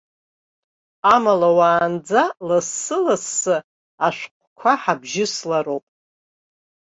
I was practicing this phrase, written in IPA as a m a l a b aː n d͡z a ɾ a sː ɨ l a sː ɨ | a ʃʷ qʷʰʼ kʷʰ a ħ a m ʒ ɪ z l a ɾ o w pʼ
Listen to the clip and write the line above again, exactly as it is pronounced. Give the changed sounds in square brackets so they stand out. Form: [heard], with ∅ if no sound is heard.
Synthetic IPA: a m a l a [w] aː n d͡z a [l] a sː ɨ l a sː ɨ | a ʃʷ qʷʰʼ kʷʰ a ħ a [b] ʒ ɪ [s] l a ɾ o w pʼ